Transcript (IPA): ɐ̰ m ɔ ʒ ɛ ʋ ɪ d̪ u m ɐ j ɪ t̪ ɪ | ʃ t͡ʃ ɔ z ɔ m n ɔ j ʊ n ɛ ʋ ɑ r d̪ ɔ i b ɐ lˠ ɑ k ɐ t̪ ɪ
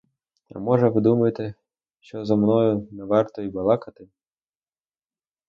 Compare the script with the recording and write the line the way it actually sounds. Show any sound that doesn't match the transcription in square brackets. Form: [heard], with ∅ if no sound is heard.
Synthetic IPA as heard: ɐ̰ m ɔ ʒ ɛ ʋ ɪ d̪ u m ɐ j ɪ t̪ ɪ | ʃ t͡ʃ ɔ z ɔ m n ɔ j ʊ n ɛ ʋ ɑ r [t̪] ɔ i b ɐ lˠ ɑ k ɐ t̪ ɪ